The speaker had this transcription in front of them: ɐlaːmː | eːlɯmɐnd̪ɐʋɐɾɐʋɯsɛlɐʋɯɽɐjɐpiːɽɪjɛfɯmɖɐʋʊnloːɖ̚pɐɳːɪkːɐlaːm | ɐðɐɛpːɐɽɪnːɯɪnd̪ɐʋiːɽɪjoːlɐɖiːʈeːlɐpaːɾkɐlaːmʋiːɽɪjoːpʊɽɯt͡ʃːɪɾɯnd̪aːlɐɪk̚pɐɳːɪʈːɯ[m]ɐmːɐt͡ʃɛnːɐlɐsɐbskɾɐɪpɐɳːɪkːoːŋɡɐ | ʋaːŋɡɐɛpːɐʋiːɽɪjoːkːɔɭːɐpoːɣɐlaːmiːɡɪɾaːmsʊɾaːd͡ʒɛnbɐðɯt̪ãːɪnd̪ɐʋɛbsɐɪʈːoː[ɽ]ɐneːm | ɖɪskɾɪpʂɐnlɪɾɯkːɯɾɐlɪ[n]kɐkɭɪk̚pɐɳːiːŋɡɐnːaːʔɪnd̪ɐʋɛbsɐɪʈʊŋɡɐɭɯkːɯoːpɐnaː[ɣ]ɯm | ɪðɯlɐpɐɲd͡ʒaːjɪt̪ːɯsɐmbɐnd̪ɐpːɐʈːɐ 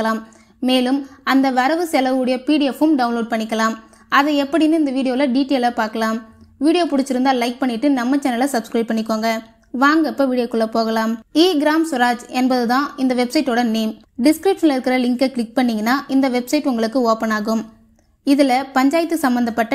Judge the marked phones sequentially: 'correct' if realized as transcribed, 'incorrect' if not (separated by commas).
incorrect, correct, incorrect, correct